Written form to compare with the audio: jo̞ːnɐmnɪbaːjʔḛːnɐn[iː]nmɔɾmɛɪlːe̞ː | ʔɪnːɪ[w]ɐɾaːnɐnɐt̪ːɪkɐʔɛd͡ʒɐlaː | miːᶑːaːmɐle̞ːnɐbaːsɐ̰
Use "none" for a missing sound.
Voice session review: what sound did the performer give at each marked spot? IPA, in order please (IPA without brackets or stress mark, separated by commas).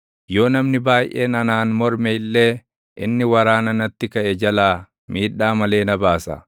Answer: aː, w